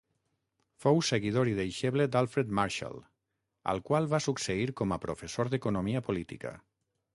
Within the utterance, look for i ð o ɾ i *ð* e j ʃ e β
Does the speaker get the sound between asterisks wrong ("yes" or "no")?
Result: no